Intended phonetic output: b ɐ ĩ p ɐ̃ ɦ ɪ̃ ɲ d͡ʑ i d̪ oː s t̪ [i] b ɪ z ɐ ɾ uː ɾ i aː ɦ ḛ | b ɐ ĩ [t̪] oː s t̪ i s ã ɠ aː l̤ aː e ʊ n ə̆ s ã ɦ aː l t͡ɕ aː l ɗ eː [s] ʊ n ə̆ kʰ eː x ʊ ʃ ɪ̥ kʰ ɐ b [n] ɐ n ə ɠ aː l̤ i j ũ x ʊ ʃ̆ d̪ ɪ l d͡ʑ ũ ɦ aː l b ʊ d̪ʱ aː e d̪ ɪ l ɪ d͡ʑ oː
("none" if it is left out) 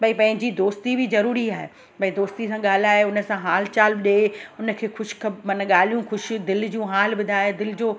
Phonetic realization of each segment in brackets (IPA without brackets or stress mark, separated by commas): i, d̪, none, m